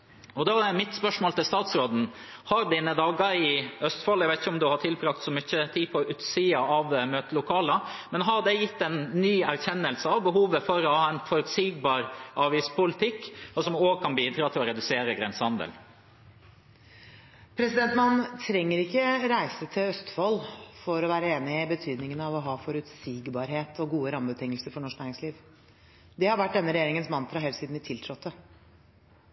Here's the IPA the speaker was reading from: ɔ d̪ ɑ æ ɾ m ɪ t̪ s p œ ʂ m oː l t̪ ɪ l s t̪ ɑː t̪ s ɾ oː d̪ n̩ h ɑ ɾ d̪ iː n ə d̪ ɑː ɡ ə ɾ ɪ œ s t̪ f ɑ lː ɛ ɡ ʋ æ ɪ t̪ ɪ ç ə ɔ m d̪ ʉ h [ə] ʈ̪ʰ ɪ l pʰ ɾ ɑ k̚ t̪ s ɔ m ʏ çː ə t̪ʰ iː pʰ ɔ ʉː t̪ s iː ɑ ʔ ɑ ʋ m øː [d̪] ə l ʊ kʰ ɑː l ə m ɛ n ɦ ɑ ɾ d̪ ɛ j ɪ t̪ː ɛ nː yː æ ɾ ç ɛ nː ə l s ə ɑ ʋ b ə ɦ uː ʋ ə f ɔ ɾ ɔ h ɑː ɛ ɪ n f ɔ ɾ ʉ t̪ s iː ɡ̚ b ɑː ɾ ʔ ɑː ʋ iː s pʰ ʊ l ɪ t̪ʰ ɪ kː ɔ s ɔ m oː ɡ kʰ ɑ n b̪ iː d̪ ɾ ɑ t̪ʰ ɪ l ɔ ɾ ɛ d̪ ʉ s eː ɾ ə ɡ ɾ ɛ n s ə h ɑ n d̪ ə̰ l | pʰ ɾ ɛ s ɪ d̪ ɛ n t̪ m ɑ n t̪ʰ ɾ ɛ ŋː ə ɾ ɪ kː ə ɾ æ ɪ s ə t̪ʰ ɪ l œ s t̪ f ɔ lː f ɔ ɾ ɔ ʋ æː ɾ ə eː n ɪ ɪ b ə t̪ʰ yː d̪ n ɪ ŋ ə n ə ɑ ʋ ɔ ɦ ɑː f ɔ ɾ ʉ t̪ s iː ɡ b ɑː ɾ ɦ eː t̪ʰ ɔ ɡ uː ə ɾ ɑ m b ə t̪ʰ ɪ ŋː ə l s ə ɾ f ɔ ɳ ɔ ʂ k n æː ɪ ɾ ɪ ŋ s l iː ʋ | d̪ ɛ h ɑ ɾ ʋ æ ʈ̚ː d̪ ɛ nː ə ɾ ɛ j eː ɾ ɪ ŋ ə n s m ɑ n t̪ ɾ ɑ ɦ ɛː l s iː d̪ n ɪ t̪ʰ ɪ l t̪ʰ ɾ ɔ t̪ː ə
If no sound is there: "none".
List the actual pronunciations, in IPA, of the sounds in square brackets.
ɑ, t̪

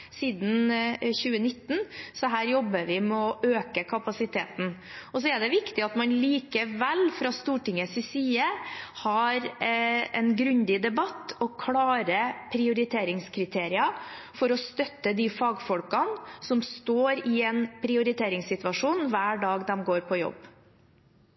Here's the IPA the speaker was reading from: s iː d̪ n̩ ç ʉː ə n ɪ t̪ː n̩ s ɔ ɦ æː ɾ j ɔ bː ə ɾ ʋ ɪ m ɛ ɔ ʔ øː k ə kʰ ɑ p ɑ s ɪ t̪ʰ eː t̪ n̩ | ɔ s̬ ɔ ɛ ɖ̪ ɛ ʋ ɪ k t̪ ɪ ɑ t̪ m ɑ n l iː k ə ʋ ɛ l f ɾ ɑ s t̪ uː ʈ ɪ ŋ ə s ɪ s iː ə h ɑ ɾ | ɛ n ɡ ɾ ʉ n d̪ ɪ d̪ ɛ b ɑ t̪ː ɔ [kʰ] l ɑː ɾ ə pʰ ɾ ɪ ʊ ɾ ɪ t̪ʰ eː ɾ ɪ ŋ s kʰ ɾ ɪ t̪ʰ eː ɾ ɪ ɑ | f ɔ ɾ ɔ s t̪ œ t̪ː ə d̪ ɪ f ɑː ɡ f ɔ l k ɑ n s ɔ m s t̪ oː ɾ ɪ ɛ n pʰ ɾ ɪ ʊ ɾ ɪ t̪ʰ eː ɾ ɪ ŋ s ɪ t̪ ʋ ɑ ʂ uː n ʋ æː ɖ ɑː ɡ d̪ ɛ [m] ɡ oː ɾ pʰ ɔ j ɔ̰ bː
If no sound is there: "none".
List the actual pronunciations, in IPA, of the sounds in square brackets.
kʰ, m

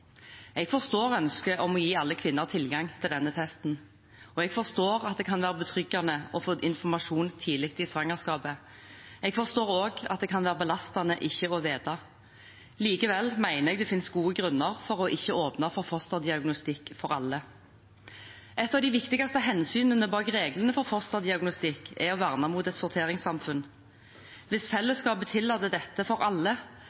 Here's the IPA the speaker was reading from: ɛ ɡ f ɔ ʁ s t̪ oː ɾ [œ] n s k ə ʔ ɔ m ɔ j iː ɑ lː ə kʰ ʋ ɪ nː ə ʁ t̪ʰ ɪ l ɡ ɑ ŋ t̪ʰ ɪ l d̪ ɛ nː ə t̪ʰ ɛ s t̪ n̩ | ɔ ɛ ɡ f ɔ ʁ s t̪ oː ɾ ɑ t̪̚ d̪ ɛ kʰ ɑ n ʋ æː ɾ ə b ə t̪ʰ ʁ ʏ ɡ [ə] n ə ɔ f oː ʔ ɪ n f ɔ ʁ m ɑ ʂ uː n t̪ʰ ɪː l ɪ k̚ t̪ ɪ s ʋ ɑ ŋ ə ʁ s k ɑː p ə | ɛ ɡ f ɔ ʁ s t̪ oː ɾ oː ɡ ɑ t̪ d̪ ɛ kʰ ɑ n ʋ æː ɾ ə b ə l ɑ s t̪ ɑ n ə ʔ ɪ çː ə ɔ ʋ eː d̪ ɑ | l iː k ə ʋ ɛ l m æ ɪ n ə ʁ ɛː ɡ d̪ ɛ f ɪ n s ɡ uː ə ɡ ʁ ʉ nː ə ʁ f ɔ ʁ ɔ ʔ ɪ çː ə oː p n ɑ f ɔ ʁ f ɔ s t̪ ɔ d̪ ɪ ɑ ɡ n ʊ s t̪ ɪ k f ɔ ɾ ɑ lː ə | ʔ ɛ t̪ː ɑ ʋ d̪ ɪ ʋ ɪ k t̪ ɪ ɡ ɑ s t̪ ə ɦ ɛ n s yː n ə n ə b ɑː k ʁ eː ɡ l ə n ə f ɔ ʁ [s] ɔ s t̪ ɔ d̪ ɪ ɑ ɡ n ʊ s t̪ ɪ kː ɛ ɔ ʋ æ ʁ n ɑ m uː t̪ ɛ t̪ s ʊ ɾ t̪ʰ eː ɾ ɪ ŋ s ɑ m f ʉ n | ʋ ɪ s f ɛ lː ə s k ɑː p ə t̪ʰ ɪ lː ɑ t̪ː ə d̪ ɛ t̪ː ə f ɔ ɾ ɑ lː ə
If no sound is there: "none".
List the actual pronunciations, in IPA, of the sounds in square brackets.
œ, ɑ, f

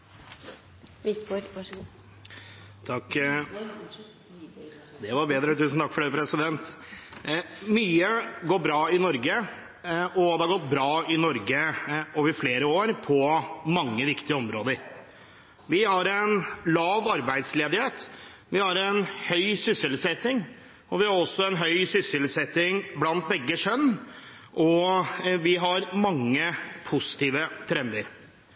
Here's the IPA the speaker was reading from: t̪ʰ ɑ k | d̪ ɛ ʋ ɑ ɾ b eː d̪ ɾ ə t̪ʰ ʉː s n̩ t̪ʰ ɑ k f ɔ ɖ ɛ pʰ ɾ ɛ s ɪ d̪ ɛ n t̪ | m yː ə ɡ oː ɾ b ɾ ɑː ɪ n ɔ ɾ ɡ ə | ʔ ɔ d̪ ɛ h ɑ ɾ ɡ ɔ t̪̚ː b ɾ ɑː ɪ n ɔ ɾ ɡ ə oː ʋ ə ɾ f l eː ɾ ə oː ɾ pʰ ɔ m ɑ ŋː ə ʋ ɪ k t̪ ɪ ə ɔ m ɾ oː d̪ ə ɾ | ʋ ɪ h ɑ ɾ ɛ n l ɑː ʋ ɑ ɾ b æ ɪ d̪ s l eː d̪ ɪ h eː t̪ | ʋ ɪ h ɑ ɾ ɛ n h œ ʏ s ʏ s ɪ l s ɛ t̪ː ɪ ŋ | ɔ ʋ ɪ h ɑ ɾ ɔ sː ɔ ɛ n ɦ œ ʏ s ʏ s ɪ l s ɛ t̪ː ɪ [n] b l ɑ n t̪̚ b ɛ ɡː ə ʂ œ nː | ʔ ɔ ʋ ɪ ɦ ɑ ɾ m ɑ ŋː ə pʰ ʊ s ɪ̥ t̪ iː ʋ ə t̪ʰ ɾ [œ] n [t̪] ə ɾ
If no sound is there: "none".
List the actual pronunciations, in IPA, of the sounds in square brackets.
ŋ, ɛ, d̪

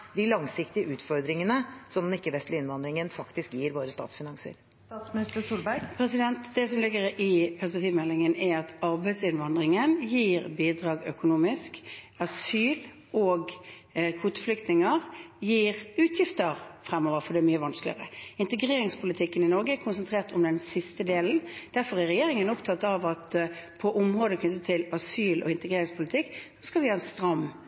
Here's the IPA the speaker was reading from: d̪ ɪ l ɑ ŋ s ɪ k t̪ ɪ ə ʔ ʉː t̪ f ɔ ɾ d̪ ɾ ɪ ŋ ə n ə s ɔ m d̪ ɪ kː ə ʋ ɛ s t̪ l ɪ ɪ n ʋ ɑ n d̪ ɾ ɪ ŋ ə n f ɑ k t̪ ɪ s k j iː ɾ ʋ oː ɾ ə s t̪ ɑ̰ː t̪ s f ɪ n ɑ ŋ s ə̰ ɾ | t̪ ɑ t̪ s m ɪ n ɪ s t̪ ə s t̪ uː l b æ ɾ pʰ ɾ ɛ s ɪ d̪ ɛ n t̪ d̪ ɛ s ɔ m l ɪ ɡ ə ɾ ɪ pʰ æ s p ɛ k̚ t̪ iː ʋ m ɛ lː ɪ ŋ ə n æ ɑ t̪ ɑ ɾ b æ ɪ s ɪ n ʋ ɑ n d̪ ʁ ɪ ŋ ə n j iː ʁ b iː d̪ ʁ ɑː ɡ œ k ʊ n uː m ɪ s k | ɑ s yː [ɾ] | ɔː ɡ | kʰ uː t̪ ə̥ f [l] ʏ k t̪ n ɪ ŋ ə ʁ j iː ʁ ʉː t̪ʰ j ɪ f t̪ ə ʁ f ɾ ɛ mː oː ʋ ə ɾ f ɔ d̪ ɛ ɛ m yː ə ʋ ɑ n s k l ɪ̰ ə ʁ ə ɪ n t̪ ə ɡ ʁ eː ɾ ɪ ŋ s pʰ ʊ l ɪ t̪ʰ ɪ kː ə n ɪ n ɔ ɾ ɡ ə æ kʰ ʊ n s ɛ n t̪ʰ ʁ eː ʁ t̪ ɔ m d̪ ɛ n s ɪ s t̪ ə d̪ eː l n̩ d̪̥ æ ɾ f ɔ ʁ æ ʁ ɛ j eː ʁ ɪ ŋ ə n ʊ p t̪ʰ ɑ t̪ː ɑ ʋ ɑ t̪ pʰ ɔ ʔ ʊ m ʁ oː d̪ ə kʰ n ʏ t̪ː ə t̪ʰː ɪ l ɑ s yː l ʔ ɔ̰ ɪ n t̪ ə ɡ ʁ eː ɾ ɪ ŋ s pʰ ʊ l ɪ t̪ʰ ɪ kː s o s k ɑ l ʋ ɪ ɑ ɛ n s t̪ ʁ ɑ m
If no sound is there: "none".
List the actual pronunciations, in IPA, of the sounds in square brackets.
l, l

